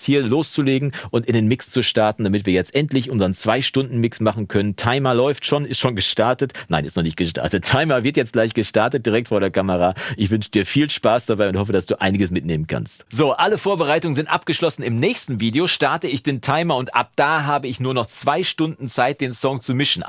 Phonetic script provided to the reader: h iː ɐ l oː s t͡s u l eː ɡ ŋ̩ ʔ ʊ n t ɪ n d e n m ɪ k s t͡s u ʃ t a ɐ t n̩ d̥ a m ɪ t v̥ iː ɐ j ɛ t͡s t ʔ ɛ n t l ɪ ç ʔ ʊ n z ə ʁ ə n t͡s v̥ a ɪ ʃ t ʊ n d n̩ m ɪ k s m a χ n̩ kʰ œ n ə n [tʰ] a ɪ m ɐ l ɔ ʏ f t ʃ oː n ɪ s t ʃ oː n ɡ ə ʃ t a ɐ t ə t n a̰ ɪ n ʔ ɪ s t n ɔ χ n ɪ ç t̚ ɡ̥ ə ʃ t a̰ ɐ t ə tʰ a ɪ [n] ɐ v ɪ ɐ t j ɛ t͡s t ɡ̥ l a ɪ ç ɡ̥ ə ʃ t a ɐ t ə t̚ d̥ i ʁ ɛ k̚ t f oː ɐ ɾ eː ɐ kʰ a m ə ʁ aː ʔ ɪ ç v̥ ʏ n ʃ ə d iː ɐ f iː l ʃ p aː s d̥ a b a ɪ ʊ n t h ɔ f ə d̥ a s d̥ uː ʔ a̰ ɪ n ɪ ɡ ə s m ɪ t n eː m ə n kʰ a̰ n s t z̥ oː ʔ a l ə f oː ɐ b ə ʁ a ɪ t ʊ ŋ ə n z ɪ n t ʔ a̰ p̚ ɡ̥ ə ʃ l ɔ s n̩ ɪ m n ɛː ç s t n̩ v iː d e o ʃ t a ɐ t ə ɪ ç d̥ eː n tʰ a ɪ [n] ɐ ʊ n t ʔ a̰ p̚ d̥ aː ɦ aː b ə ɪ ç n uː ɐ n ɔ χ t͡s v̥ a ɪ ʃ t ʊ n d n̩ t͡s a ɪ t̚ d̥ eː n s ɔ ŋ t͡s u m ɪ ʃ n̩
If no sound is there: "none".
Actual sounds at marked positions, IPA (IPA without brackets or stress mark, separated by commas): tʰ, m, m